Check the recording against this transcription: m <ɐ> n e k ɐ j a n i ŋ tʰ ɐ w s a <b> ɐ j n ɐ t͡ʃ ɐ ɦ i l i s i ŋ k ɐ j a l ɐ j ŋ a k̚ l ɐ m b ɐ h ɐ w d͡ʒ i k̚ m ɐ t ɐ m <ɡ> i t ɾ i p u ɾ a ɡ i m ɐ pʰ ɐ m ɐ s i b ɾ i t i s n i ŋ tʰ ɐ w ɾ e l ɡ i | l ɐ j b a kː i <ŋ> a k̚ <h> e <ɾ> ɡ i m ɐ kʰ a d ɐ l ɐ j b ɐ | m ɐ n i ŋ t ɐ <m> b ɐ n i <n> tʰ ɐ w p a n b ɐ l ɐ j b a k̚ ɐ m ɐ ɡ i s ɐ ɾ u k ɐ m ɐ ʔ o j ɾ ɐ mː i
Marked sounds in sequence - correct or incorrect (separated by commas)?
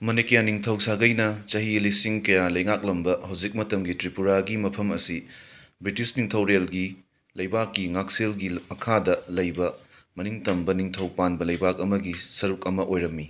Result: correct, incorrect, correct, correct, incorrect, incorrect, correct, incorrect